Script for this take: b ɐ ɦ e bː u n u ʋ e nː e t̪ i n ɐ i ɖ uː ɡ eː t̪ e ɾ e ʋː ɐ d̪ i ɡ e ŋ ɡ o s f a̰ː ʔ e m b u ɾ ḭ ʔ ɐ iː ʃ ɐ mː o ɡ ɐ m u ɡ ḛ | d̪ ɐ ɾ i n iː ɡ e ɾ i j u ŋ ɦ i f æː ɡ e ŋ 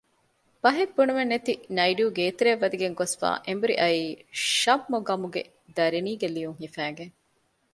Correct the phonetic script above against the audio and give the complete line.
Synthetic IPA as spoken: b ɐ ɦ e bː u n u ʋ e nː e t̪ i n ɐ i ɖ uː ɡ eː t̪ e ɾ e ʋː ɐ d̪ i ɡ e ŋ ɡ o s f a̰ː ʔ e m b u ɾ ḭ ʔ ɐ iː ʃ ɐ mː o ɡ ɐ m u ɡ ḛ | d̪ ɐ ɾ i n iː ɡ e l i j u ŋ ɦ i f æː ɡ e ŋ